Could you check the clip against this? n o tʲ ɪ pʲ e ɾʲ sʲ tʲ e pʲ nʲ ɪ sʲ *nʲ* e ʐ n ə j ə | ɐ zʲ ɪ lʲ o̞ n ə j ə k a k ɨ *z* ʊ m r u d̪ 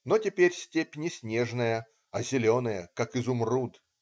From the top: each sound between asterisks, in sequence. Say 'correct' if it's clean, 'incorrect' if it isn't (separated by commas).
correct, correct